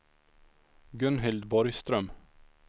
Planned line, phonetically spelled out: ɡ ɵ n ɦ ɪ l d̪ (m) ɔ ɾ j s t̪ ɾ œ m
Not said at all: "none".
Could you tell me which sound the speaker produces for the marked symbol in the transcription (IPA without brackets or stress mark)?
b